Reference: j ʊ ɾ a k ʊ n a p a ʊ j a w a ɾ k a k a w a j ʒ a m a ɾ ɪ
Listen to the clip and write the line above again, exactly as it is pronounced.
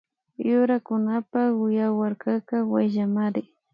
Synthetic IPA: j ʊ ɾ a k ʊ n a p a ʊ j a w a ɾ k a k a w a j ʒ a m a ɾ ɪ